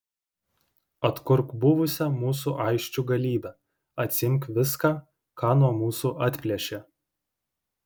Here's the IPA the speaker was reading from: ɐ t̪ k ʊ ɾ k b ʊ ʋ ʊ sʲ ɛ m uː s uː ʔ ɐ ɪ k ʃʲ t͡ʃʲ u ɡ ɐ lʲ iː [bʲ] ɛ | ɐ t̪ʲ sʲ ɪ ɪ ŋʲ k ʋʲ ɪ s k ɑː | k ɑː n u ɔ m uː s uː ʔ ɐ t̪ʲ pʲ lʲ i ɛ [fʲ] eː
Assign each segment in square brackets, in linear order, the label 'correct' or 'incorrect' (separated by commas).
correct, incorrect